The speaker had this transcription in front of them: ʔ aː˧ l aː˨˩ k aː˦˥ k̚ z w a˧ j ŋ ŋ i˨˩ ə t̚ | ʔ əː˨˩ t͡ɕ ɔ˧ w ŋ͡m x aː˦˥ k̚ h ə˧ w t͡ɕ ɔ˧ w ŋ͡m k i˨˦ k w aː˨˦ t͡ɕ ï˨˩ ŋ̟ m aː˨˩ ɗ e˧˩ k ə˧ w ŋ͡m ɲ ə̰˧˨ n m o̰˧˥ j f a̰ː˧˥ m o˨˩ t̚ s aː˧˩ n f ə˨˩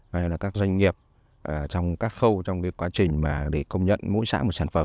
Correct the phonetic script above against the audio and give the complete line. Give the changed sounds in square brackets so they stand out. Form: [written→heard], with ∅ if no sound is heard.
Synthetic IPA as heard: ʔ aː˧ l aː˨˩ k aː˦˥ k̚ z w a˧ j ŋ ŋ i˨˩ ə [t̚→p̚] | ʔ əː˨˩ t͡ɕ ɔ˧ w ŋ͡m [x→k] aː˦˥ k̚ [h→x] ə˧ w t͡ɕ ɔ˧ w ŋ͡m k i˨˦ k w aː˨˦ t͡ɕ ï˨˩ ŋ̟ m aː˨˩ ɗ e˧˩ k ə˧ w ŋ͡m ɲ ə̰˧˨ n m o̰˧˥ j [f→s] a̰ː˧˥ m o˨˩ t̚ s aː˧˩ n f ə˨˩

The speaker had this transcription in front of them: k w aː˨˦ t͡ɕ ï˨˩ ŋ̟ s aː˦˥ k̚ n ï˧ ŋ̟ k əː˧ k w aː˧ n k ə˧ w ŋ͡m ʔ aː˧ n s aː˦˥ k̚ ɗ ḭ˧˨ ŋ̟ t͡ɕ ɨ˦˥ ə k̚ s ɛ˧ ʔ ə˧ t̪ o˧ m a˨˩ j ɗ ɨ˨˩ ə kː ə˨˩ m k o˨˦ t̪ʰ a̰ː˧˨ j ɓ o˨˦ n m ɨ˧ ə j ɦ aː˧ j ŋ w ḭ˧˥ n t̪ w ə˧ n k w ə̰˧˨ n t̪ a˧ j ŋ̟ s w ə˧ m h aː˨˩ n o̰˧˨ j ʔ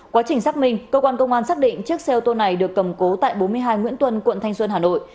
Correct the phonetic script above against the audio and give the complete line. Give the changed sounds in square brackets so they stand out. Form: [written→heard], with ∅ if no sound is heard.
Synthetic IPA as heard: k w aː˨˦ t͡ɕ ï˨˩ ŋ̟ s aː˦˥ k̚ [n→m] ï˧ ŋ̟ k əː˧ k w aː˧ n k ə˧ w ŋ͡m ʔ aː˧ n s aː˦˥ k̚ ɗ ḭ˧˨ ŋ̟ t͡ɕ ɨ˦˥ ə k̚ s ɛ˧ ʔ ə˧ t̪ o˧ [m→n] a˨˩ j ɗ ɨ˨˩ ə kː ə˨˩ m k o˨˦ [t̪ʰ→t̪] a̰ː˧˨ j ɓ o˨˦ n m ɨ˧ ə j ɦ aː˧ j ŋ w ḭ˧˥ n t̪ w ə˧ n k w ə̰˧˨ n [t̪→t̪ʰ] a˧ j ŋ̟ s w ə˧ [m→n] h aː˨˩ n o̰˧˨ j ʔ

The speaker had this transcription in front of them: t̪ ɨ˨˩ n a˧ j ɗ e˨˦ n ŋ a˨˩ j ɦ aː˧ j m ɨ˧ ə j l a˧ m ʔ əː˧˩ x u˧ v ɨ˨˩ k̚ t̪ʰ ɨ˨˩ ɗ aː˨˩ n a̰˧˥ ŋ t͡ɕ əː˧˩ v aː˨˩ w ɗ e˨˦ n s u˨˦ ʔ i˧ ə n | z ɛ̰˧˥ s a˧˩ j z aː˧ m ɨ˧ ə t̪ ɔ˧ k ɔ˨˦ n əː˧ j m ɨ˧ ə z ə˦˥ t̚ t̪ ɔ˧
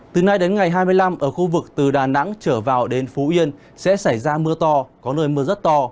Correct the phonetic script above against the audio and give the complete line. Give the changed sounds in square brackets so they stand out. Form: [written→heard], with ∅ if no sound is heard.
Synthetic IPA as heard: t̪ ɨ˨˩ n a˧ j ɗ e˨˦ n ŋ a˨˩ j ɦ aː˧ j m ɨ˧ ə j l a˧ m ʔ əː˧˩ x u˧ v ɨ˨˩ k̚ [t̪ʰ→t̪] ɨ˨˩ ɗ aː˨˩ n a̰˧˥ ŋ t͡ɕ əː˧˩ v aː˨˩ w ɗ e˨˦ n [s→f] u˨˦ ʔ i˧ ə n | [z→s] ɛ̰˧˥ s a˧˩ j z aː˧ m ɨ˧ ə t̪ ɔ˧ k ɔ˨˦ n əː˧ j m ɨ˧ ə z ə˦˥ t̚ t̪ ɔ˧

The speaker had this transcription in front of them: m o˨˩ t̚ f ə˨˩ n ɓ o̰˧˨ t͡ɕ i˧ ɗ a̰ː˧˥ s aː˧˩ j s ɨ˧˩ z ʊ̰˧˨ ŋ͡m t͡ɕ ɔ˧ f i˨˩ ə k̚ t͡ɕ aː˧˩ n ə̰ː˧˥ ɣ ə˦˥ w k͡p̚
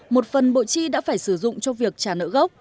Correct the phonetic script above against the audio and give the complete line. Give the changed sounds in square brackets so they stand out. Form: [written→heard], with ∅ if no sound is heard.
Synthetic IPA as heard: m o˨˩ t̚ f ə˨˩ n ɓ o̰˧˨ t͡ɕ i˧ ɗ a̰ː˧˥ [s→f] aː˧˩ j s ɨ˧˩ z ʊ̰˧˨ ŋ͡m t͡ɕ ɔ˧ [f→v] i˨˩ ə k̚ t͡ɕ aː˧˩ n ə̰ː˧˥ ɣ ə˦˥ w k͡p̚

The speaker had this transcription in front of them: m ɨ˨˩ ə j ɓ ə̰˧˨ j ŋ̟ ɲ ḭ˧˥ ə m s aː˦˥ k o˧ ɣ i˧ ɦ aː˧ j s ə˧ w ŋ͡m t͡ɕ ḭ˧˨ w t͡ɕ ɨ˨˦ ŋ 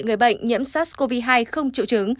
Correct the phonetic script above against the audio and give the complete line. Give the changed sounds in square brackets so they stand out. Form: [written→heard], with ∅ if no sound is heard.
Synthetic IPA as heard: [m→ŋ] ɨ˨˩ ə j ɓ ə̰˧˨ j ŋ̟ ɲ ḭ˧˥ ə m s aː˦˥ k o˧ [ɣ→v] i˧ ɦ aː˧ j [s→x] ə˧ w ŋ͡m t͡ɕ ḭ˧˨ w t͡ɕ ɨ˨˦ ŋ

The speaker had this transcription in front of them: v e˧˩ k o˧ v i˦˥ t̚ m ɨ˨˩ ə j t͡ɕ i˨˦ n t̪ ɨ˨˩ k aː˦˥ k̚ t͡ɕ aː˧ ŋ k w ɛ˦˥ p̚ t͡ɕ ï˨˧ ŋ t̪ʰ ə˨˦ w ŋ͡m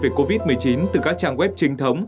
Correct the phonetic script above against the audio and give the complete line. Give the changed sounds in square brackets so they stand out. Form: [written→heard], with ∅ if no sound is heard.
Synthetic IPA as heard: v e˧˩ k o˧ v i˦˥ t̚ m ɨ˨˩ ə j t͡ɕ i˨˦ n t̪ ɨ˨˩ k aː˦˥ k̚ t͡ɕ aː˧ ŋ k w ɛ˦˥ p̚ t͡ɕ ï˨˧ ŋ t̪ʰ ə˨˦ w ŋ͡m

